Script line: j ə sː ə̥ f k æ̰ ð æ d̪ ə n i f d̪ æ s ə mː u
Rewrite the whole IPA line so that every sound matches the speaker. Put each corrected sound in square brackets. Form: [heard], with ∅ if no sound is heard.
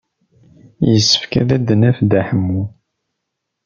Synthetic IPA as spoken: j ə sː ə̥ f k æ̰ ð æ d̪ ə n [æ] f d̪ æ [ħ] ə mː u